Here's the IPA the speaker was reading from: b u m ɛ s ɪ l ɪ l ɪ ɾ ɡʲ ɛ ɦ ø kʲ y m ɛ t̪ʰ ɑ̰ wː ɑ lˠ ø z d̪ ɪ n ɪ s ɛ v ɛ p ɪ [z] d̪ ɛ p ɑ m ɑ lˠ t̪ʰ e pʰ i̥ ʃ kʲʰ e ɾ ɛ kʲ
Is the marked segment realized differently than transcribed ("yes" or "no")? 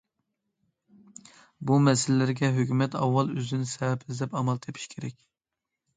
no